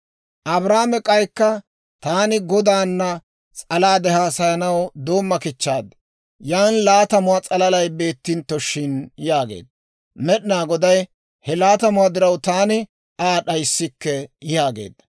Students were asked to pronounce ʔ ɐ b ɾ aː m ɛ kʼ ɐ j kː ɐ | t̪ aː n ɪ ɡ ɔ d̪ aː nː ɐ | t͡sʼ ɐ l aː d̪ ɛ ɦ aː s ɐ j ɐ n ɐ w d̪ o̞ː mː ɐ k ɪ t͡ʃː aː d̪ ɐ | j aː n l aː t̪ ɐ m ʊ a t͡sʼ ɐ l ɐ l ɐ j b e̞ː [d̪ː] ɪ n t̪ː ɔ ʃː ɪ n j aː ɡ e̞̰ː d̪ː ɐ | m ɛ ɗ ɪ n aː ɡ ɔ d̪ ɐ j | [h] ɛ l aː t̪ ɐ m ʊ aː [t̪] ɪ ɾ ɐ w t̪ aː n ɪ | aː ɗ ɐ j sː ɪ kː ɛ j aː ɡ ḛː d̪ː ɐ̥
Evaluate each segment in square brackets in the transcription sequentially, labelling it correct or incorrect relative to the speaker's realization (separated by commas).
incorrect, correct, incorrect